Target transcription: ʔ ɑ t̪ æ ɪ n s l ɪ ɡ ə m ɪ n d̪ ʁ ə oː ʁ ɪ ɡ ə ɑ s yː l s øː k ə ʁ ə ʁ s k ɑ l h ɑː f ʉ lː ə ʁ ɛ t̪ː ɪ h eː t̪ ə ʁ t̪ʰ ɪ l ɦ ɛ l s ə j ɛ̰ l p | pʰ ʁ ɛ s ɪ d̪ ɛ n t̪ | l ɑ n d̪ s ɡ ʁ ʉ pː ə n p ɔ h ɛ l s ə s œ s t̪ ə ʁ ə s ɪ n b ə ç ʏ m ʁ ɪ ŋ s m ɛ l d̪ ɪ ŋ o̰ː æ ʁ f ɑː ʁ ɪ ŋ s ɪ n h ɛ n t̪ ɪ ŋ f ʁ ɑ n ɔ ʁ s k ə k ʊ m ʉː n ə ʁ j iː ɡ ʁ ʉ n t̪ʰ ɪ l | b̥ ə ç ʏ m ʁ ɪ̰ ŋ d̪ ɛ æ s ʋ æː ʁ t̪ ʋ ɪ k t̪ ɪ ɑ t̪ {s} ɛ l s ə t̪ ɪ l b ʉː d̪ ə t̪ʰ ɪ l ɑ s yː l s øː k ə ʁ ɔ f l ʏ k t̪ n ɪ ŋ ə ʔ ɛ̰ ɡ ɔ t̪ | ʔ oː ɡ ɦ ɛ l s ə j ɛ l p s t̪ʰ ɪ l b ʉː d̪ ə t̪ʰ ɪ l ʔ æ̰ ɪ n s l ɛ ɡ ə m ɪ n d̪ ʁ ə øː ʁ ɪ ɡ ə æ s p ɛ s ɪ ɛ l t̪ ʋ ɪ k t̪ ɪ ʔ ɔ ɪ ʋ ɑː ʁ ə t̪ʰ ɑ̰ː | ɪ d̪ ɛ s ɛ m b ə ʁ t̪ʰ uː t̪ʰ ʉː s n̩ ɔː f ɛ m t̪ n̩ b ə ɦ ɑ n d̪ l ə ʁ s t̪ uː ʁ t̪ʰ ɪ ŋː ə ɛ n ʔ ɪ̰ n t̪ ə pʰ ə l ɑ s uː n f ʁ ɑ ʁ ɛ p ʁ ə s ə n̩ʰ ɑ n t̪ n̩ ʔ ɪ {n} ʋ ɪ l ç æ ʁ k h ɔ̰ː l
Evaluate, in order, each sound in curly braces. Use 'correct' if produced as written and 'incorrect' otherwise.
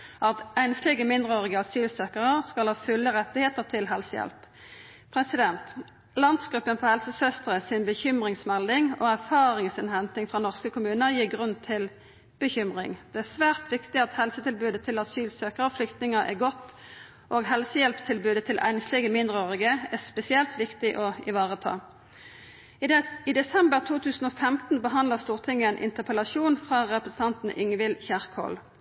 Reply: incorrect, incorrect

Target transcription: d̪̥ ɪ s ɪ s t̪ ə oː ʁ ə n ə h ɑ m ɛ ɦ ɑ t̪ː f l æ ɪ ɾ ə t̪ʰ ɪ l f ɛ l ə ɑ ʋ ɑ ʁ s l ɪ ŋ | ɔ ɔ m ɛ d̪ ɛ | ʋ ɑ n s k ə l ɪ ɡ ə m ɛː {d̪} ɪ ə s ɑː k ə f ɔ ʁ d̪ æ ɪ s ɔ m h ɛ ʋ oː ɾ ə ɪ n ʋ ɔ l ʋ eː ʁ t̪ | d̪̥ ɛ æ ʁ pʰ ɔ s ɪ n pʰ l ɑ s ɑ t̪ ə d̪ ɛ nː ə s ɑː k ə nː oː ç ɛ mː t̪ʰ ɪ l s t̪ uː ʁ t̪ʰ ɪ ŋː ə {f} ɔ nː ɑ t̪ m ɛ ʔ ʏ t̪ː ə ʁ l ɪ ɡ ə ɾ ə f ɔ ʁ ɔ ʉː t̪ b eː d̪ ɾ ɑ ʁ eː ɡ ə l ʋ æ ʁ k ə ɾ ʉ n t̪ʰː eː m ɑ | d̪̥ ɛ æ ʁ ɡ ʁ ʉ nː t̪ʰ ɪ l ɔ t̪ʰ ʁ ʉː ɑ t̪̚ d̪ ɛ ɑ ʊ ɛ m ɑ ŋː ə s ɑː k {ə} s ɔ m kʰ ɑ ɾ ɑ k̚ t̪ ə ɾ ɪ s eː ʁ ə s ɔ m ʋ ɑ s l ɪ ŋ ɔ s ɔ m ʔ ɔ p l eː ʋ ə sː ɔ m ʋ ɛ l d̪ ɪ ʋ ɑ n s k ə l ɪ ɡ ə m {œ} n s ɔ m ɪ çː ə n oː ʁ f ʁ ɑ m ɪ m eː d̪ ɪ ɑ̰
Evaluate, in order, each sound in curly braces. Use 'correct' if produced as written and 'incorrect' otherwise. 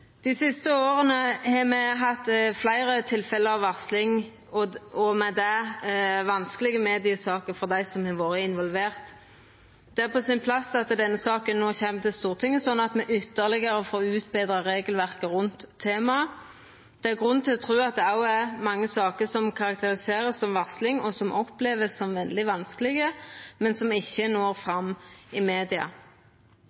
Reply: correct, incorrect, correct, incorrect

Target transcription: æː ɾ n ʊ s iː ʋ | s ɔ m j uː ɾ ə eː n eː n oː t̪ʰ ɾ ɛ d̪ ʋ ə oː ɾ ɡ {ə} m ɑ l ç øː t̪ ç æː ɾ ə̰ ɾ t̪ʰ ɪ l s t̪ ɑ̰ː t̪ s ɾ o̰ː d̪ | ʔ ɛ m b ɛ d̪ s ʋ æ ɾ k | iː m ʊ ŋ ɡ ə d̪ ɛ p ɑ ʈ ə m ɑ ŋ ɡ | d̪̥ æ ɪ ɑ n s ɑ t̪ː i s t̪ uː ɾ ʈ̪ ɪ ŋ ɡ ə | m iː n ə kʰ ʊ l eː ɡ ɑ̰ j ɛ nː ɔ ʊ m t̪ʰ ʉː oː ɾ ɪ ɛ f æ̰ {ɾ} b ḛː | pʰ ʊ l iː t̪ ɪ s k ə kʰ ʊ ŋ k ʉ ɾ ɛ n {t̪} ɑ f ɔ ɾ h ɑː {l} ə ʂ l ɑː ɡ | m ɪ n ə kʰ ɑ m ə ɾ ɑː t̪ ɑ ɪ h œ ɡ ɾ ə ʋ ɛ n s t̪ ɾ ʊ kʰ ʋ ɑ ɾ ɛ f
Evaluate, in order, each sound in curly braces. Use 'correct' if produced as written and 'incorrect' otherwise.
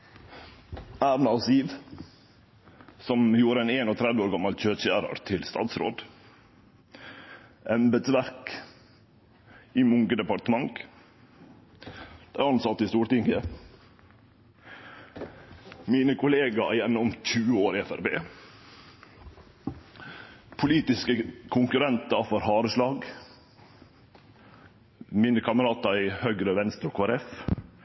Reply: incorrect, correct, correct, incorrect

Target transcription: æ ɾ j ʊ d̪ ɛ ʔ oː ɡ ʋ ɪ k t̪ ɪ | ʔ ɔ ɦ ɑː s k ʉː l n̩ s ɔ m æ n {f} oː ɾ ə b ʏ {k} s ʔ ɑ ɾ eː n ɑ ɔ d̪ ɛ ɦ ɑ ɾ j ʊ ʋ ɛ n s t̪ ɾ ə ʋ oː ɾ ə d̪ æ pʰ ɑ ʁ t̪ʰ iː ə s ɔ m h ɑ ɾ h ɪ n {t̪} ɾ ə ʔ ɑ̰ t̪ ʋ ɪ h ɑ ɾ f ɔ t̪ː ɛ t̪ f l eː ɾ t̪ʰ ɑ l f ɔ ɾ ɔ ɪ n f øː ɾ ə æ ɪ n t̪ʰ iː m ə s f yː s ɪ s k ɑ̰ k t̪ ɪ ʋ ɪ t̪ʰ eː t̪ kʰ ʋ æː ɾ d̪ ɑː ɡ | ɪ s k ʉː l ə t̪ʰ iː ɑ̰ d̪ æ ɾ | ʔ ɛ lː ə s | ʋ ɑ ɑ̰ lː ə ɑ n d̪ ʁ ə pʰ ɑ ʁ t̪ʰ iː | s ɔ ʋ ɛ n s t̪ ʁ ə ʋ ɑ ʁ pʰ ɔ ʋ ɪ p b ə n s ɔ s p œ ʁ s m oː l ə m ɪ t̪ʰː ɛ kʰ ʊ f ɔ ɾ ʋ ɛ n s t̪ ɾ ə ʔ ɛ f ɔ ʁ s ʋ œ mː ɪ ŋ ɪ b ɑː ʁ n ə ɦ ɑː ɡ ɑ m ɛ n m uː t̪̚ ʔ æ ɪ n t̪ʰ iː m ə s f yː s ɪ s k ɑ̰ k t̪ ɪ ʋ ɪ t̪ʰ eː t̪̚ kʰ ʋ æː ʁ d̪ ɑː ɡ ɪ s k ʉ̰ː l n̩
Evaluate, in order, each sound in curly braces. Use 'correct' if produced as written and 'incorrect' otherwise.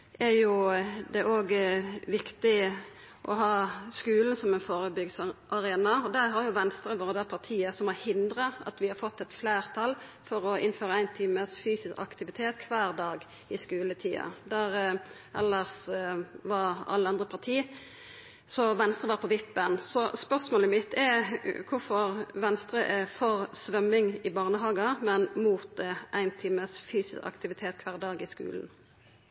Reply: correct, incorrect, incorrect

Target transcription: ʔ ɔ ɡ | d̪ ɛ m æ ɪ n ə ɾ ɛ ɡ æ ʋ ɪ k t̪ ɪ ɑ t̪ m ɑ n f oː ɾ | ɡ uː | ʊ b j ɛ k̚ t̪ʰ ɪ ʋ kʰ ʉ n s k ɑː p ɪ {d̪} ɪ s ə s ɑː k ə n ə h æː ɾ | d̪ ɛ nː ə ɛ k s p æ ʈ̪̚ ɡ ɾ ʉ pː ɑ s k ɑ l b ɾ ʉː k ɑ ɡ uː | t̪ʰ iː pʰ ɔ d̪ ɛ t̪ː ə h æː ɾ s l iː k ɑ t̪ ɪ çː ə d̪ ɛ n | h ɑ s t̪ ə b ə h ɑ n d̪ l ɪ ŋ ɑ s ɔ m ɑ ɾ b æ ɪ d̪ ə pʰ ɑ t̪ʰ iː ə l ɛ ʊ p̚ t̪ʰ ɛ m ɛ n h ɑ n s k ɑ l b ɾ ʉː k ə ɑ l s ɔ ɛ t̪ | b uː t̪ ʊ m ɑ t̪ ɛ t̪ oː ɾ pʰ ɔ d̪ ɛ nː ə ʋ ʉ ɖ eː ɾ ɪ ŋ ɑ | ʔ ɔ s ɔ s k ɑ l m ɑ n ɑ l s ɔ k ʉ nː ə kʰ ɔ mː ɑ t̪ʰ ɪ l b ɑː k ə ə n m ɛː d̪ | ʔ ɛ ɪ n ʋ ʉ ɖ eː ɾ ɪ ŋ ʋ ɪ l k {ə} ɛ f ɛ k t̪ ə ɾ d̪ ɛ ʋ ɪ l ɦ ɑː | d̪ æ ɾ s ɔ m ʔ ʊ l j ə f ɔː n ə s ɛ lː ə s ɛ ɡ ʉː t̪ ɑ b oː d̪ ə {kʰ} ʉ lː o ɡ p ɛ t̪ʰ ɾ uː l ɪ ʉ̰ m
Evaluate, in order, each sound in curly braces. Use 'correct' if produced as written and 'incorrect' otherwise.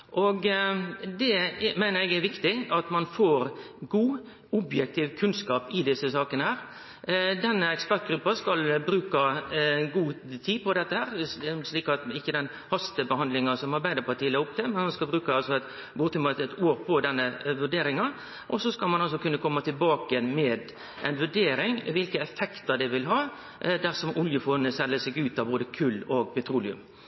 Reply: correct, correct, correct

